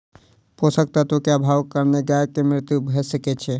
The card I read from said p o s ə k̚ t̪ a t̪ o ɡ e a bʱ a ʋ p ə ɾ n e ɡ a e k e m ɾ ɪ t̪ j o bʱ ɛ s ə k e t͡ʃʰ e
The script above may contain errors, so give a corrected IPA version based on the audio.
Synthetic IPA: p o s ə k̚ t̪ a t̪ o k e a bʱ a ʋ k ə ɾ n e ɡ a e k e m ɾ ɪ t̪ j u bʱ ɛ s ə k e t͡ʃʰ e